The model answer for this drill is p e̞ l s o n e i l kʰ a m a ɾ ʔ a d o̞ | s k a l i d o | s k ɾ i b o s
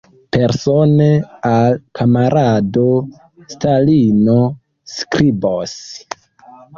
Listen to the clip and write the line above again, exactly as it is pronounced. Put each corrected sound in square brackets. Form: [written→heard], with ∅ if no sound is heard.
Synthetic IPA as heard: p e̞ [l→ɾ] s o n e [i→a] l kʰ a m a ɾ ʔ a d o̞ | s [k→t] a l i [d→n] o | s k ɾ i b o s